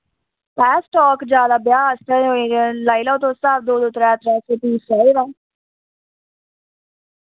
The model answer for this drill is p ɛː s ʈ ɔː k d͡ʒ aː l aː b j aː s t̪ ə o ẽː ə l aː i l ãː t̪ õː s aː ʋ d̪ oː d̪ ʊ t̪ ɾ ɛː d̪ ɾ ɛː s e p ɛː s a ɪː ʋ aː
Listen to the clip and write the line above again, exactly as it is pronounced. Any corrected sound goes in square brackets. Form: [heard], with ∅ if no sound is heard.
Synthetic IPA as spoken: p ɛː s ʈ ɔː k d͡ʒ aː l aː b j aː s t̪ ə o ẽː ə l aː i l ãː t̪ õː s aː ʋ d̪ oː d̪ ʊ t̪ ɾ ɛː [t̪] ɾ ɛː s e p [iː] s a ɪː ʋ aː

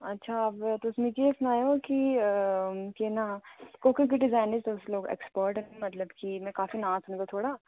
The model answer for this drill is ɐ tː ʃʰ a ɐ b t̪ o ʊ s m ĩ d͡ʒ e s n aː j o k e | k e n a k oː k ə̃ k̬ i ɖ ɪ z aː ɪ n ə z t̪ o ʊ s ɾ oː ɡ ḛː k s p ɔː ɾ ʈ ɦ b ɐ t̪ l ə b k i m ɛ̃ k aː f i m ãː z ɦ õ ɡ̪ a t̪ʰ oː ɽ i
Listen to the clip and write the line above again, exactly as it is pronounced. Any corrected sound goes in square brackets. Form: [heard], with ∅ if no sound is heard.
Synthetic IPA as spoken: ɐ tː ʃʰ a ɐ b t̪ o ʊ s m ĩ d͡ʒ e s n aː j o k [i] | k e n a k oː k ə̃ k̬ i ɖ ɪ z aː ɪ n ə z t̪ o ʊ s [l] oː ɡ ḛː k s p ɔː ɾ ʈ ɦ [m] ɐ t̪ l ə b k i m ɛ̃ k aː f i [n] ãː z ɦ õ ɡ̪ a t̪ʰ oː ɽ [a]

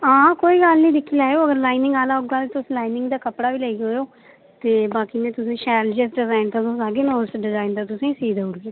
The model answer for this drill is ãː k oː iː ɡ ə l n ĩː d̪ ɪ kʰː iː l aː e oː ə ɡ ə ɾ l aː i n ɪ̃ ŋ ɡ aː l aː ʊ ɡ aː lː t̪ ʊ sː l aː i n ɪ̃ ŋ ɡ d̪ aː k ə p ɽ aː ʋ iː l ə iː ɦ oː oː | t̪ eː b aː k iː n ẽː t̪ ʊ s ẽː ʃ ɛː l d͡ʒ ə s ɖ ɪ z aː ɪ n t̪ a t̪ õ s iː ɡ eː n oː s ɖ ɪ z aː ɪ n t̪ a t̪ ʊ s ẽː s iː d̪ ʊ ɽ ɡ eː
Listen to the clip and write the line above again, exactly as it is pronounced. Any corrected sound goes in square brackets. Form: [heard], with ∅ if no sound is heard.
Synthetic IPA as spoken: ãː k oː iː ɡ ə l n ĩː d̪ ɪ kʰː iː l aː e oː ə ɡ ə ɾ l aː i n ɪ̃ ŋ ɡ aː l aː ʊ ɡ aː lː t̪ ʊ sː l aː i n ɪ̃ ŋ ɡ d̪ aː k ə p ɽ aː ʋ iː l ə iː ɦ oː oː | t̪ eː b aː k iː n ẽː t̪ ʊ s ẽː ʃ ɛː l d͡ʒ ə s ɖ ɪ z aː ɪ n t̪ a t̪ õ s [aː] ɡ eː n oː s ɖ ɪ z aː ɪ n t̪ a t̪ ʊ s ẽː s iː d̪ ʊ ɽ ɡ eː

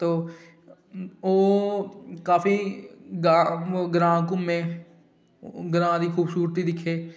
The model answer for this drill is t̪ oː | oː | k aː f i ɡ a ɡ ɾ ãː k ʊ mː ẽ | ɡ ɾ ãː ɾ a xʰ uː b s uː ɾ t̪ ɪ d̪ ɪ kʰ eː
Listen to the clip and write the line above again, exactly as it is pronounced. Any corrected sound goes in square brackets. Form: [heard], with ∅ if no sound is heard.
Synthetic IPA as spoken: t̪ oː | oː | k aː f i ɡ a ɡ ɾ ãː k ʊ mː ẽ | ɡ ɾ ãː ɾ [i] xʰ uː b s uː ɾ t̪ [i] d̪ ɪ kʰ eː

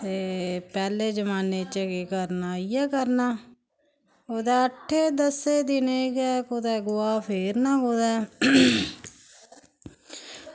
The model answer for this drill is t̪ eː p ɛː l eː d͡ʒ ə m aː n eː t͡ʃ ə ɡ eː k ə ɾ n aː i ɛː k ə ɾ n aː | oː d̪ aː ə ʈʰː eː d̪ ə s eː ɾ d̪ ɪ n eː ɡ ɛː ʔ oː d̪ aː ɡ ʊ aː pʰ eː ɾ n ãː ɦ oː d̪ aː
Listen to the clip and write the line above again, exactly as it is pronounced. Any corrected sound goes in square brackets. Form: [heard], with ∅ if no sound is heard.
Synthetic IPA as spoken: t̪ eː p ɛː l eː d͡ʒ ə m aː n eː t͡ʃ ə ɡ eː k ə ɾ n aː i ɛː k ə ɾ n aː | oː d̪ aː ə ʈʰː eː d̪ ə s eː [∅] d̪ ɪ n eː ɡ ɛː [k] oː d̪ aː ɡ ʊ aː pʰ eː ɾ n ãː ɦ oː d̪ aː

